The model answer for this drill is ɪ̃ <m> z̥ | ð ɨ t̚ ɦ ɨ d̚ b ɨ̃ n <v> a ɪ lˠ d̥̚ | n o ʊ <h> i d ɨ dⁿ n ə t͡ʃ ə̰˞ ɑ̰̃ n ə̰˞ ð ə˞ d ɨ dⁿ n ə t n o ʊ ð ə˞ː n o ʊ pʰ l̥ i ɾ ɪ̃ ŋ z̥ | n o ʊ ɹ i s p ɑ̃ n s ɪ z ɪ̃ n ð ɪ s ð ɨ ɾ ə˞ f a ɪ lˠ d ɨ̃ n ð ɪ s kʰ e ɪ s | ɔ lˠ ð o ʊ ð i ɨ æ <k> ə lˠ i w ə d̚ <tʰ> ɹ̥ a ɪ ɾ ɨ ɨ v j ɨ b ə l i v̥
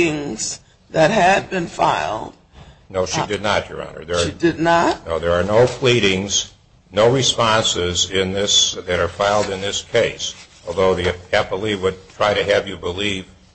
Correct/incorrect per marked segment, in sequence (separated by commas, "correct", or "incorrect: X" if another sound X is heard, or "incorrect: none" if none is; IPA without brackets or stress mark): incorrect: ŋ, incorrect: f, incorrect: ʃ, incorrect: p, correct